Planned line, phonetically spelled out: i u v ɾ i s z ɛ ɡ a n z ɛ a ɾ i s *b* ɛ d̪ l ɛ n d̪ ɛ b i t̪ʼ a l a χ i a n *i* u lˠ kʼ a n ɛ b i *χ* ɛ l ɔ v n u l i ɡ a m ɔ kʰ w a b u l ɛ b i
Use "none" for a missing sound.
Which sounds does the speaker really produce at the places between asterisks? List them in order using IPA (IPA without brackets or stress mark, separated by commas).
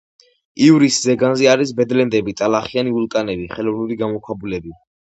b, i, χ